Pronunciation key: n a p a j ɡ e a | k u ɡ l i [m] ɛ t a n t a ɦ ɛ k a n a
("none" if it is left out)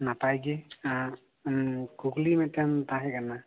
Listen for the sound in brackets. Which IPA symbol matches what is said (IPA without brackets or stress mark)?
m